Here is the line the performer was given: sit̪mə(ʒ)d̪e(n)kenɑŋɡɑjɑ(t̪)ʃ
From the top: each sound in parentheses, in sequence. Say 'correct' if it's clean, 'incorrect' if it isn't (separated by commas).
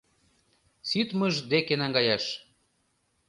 correct, incorrect, incorrect